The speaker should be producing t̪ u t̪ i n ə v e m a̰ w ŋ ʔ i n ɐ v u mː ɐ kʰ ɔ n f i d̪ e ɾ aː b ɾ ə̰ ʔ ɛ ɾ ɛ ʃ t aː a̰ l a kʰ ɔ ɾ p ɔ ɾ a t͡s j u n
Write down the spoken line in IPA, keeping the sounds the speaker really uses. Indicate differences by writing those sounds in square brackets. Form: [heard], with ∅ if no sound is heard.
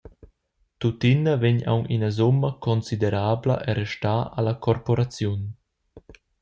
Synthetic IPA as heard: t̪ u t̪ i n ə v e [ɲ] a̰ w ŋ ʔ i n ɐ [z] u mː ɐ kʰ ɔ n [s] i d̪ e ɾ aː b [l] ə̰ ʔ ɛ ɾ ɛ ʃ t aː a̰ l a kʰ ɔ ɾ p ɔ ɾ a t͡s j u n

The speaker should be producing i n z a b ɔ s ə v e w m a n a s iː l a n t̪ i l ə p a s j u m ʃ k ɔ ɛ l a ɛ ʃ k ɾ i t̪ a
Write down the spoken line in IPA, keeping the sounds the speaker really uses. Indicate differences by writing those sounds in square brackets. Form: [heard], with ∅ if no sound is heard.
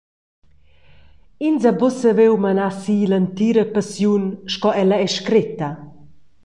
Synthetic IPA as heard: i n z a b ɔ s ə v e w m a n a s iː l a n t̪ i [ɾ] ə p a s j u [n] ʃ k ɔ ɛ l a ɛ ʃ k ɾ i t̪ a

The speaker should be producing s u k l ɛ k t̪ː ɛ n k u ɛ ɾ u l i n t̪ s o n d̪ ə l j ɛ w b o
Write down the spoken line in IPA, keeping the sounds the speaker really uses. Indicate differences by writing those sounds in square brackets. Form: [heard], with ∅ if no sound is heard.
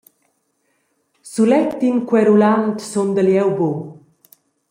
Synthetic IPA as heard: s u [∅] l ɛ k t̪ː [i] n k [w] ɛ ɾ u l [a] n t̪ s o n d̪ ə l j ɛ w b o

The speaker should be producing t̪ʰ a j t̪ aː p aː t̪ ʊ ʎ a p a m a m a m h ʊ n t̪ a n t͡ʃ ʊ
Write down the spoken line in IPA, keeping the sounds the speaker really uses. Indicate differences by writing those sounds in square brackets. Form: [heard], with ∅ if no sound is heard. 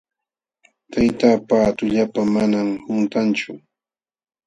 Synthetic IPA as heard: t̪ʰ a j t̪ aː p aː t̪ ʊ ʎ a p a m a [n] a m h ʊ n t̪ a n t͡ʃ ʊ

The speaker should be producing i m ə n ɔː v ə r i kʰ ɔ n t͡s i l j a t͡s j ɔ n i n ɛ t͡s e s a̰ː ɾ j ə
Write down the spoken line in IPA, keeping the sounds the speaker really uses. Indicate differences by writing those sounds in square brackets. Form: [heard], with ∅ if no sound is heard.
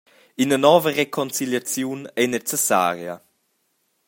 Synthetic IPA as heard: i [n] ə n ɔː v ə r [e] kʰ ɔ n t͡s i l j a t͡s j [u] n [ɛ] n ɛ t͡s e s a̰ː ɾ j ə

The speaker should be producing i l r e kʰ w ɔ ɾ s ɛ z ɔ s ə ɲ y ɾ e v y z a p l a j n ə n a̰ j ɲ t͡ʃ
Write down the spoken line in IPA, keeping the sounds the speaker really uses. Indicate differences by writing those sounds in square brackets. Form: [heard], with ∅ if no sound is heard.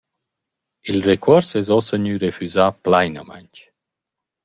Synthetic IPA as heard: i l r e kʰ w ɔ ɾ s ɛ z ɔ s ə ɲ y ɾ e [f] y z a p l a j n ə [m] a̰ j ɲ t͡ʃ

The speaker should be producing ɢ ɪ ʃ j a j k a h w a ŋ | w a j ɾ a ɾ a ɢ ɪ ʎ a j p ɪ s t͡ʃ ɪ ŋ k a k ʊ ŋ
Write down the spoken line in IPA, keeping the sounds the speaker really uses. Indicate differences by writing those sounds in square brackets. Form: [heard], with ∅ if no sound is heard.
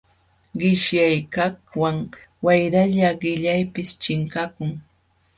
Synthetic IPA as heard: ɢ ɪ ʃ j a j k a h w a ŋ | w a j ɾ a [ʎ] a ɢ ɪ ʎ a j p ɪ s t͡ʃ ɪ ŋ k a k ʊ ŋ

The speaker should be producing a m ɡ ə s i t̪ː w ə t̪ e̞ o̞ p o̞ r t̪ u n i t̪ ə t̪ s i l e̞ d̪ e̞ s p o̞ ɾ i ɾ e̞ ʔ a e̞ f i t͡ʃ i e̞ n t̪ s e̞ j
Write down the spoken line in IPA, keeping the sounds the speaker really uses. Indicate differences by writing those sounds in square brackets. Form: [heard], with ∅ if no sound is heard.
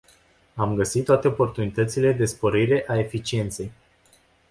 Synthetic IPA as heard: a m ɡ ə s i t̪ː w [a] t̪ e̞ o̞ p o̞ r t̪ u n i t̪ ə t̪ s i l e̞ d̪ e̞ s p o̞ ɾ i ɾ e̞ ʔ a e̞ f i t͡ʃ i e̞ n t̪ s e̞ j

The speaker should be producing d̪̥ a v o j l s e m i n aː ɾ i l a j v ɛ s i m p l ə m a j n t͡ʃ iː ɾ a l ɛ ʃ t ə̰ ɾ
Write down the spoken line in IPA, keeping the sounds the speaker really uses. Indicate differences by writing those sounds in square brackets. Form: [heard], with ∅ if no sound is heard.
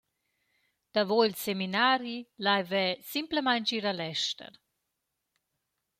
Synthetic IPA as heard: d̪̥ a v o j l s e m i n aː ɾ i l a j v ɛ s i m p l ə m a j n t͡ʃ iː ɾ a l ɛ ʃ t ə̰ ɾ

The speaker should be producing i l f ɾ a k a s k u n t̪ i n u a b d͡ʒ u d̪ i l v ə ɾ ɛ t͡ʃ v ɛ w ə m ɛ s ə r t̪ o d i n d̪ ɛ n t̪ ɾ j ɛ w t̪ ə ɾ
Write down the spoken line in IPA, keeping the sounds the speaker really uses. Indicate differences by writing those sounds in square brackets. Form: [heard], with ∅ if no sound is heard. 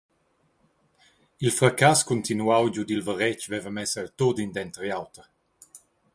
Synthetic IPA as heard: i l f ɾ a k a s k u n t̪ i n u a [w] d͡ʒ u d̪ i l v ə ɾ ɛ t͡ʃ v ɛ [v] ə m ɛ s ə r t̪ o d i n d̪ ɛ n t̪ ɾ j [a] w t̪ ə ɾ

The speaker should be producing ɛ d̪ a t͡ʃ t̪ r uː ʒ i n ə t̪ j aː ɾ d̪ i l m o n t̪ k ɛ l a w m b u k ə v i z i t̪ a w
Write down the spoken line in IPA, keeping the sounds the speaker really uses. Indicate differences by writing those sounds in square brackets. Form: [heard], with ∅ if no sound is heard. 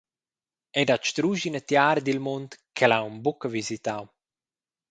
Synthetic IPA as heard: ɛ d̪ a t͡ʃ t̪ [ɾ] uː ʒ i n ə t̪ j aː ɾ d̪ i l m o n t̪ k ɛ l a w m b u k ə v i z i t̪ a w

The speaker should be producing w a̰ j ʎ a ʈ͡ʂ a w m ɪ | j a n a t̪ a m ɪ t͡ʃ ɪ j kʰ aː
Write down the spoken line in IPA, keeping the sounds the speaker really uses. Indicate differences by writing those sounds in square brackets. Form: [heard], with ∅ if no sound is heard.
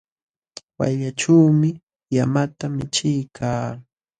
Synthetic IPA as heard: w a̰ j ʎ a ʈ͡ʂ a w m ɪ | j a [m] a t̪ a m ɪ t͡ʃ ɪ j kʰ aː

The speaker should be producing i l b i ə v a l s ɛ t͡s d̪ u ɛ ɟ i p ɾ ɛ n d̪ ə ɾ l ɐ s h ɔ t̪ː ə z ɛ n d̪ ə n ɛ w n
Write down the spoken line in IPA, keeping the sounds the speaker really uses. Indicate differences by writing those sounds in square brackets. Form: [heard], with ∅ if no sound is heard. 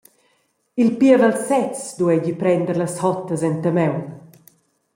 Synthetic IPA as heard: i l [p] i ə v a l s ɛ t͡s d̪ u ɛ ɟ i p ɾ ɛ n d̪ ə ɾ l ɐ s h ɔ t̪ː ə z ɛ n [t̪] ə [m] ɛ w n

